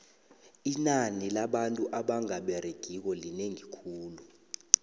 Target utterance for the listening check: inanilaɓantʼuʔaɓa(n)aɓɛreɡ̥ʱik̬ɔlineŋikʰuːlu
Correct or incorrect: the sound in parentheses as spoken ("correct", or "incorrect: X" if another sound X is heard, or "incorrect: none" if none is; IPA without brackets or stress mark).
incorrect: ŋ